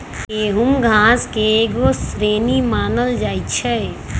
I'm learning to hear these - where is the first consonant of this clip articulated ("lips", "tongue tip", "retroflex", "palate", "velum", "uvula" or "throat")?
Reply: throat